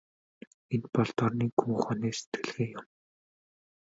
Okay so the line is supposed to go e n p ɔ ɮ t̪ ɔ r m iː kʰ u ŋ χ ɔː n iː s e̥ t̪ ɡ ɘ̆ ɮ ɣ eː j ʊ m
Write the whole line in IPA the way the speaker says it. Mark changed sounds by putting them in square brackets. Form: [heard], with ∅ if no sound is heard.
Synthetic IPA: e n p ɔ ɮ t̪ ɔ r [n] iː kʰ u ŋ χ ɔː n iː s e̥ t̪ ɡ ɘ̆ ɮ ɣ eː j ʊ m